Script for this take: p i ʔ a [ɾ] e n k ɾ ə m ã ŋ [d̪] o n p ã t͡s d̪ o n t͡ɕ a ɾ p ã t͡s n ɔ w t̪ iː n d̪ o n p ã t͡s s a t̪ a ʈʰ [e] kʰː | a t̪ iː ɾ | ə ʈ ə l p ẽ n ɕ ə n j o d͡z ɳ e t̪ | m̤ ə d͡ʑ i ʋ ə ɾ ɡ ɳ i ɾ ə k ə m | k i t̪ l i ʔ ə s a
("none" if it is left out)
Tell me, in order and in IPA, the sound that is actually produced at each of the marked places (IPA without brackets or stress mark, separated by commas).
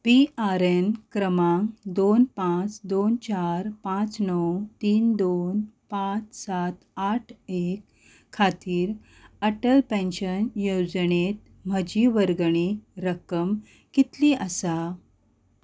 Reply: ɾ, d̪, e